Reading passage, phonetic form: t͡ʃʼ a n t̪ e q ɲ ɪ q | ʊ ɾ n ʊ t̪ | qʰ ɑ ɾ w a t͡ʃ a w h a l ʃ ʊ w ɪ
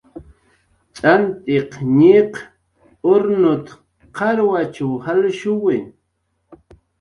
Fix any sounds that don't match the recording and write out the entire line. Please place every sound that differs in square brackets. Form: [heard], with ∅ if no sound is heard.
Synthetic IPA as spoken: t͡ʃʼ a n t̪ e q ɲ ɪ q | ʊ ɾ n ʊ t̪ | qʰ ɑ ɾ w a t͡ʃ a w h a l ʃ ʊ w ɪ